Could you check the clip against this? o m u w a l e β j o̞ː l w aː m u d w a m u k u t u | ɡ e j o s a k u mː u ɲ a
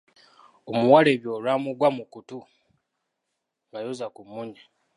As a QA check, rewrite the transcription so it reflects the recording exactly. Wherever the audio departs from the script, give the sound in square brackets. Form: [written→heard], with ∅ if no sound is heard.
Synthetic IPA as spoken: o m u w a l e β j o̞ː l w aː m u [d→ɡ] w a m u k u t u | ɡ [e→a] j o [s→z] a k u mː u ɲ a

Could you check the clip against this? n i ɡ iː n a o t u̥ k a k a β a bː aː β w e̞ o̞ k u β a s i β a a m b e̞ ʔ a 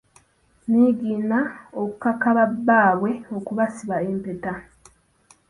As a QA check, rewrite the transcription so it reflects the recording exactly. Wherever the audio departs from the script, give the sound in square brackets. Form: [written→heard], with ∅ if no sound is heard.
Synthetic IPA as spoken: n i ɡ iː n a o [t→k] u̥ k a k a β a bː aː β w e̞ o̞ k u β a s i β a [a→e] m [b→p] e̞ [ʔ→t] a

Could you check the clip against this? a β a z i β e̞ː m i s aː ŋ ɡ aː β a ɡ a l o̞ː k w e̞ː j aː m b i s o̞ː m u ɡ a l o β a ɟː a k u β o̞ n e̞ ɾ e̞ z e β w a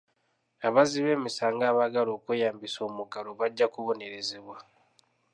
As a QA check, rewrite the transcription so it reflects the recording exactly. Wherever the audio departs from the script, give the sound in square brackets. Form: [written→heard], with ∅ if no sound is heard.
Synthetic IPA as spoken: a β a z i β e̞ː m i s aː ŋ ɡ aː β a ɡ a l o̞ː k w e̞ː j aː m b i s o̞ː m u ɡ a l o β a ɟː a k u β o̞ n e̞ ɾ e̞ z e β w a

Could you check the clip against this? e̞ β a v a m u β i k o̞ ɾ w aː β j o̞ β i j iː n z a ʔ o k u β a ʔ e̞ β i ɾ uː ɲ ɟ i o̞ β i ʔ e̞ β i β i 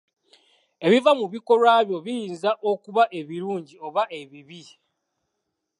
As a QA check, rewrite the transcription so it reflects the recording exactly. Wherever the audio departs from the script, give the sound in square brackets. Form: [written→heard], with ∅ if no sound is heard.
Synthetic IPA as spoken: e̞ β [a→i] v a m u β i k o̞ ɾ w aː β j o̞ β i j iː n z a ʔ o k u β a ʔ e̞ β i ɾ uː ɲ ɟ i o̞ β [i→a] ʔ e̞ β i β i

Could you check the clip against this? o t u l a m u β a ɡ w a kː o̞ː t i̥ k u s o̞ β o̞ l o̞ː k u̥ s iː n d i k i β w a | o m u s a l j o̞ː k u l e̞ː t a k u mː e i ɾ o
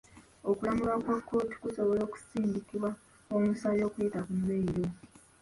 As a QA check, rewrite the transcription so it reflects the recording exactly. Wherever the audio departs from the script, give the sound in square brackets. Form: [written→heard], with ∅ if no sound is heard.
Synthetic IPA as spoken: o [t→k] u l a m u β a [ɡ→k] w a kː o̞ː t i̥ k u s o̞ β o̞ l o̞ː k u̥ s iː n d i k i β w a | o m u s a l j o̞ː k u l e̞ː t a k u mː e i ɾ o

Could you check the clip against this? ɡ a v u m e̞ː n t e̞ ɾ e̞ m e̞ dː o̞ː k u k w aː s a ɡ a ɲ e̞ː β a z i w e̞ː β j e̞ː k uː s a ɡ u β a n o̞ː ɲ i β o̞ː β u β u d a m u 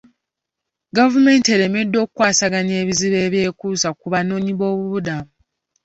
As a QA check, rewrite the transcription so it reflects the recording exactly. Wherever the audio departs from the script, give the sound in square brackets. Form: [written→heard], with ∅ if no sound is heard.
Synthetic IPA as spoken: ɡ a v u m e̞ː n t e̞ ɾ e̞ m e̞ dː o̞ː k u k w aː s a ɡ a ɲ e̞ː β [a→i] z i [w→β] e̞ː β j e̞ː k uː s a [ɡ→k] u β a n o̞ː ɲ i β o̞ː β u β u d a m u

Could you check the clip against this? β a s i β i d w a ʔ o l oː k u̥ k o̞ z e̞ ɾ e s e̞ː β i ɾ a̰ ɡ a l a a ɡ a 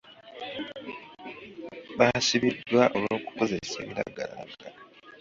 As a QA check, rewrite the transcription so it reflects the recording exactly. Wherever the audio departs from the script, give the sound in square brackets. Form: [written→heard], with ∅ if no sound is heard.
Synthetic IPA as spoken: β a s i β i d w a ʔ o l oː k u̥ k o̞ z e̞ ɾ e s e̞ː β i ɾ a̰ ɡ a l a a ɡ a

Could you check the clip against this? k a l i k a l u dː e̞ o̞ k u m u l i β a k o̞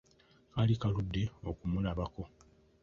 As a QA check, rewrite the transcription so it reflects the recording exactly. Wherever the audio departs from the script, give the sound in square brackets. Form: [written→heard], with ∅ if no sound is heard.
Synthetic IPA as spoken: k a l i k a l u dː e̞ o̞ k u m u l [i→a] β a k o̞

